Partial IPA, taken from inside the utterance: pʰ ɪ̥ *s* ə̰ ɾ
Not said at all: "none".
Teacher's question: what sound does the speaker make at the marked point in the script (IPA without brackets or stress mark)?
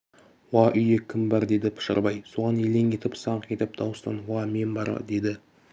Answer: ʃ